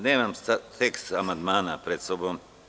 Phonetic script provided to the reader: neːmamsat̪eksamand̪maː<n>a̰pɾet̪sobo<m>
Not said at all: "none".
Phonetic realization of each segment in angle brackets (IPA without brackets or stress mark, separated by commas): n, m